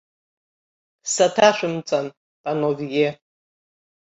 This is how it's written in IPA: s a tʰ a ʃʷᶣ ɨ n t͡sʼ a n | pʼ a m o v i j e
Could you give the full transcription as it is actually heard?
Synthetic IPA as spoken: s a tʰ a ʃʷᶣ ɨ m t͡sʼ a n | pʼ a n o v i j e